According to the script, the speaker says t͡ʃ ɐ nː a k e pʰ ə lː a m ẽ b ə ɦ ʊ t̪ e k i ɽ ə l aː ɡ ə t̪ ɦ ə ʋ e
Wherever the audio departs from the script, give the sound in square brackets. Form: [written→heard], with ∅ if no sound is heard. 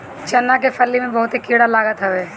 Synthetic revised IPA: t͡ʃ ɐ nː a k e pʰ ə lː [a→i] m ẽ b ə ɦ ʊ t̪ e k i ɽ [ə→a] l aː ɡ ə t̪ ɦ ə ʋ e